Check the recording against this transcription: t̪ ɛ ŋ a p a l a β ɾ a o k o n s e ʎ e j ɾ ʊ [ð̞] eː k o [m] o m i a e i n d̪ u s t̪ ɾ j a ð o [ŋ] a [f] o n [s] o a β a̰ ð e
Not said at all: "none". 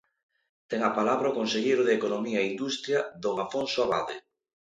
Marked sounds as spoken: ð̞, n, ŋ, f, s

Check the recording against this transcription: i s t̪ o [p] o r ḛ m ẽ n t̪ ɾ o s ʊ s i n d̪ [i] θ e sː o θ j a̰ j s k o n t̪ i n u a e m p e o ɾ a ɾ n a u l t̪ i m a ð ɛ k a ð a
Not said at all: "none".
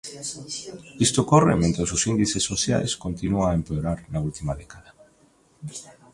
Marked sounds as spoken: k, i

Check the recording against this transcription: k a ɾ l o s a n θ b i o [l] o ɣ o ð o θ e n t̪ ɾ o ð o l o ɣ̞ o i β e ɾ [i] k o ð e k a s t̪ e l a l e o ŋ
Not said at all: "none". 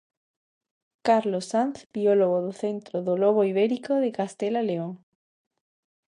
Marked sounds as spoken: l, i

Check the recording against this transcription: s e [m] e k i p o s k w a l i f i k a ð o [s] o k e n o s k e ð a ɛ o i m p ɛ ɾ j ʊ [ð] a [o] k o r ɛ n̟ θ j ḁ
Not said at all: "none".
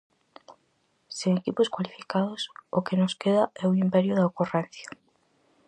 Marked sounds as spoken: ŋ, s, ð, o

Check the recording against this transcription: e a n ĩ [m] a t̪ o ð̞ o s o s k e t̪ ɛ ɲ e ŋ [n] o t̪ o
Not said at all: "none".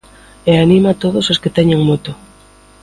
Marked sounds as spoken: m, m

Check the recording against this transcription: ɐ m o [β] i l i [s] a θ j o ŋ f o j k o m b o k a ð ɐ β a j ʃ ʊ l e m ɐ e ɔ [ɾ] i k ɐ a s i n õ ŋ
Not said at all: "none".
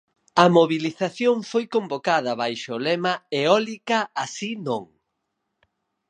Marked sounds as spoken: β, θ, l

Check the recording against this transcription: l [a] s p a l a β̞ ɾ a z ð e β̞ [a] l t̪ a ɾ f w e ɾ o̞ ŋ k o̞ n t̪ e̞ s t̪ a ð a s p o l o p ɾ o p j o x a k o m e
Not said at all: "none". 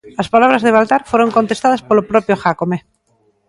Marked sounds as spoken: a, a

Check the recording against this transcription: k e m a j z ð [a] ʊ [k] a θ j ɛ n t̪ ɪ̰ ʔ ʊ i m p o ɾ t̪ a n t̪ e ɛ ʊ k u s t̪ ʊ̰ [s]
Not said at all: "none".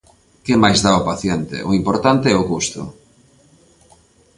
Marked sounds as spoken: a, p, none

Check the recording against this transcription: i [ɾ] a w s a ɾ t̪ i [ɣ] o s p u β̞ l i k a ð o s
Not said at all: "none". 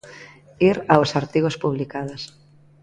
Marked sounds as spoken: ɾ, ɣ

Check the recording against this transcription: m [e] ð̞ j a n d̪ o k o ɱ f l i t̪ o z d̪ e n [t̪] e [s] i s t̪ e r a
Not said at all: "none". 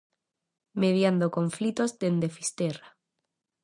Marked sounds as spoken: e, d̪, f

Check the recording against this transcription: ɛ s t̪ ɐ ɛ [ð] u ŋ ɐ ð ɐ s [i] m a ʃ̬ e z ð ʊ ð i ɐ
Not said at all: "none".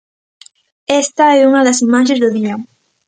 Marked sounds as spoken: none, i

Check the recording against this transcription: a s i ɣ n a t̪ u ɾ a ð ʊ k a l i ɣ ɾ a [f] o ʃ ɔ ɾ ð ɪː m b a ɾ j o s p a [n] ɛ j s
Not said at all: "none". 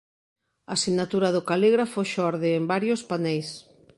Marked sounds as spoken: f, n

